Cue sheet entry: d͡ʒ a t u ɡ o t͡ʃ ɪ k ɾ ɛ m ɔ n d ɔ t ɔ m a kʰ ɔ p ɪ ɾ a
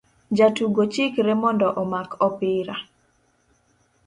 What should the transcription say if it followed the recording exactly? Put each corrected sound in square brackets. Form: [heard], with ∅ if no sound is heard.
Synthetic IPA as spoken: d͡ʒ a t u ɡ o t͡ʃ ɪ k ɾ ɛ m ɔ n d ɔ [ʔ] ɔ m a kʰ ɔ p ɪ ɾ a